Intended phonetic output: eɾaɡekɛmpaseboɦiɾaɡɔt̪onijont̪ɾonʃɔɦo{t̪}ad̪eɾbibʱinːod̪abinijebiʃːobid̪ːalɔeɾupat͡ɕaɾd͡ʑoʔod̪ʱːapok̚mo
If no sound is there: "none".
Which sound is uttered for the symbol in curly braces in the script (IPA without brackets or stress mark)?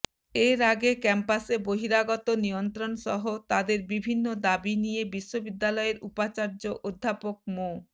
t̪